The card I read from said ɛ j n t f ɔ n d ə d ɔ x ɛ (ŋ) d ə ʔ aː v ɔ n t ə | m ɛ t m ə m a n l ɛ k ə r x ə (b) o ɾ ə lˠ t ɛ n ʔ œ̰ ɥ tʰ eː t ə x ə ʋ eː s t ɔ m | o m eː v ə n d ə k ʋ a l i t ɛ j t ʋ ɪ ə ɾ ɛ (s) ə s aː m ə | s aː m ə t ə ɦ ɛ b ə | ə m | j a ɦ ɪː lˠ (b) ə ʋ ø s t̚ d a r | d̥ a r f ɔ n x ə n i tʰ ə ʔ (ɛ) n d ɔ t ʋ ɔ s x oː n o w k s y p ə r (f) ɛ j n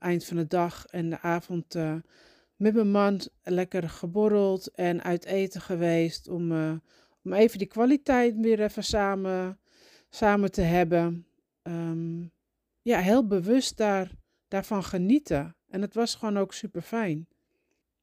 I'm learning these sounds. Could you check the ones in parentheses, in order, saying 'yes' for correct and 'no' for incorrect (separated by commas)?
no, yes, no, yes, yes, yes